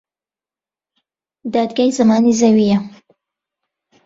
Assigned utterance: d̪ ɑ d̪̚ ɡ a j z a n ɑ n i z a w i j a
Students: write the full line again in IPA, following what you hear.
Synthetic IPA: d̪ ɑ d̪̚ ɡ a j z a m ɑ n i z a w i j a